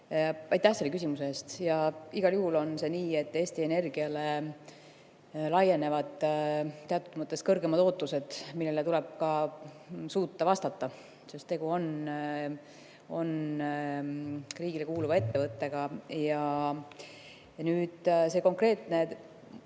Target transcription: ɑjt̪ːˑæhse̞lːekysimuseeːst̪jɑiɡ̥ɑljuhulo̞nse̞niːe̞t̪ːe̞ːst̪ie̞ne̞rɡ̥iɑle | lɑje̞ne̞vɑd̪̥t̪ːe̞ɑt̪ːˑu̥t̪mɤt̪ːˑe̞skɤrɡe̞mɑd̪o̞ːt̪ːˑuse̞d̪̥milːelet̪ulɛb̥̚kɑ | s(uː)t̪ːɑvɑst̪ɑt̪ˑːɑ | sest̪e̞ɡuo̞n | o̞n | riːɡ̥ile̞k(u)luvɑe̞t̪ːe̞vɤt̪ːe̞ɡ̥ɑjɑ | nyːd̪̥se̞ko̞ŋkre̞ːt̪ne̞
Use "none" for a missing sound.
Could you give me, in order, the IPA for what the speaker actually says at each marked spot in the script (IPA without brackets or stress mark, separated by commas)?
uː, uː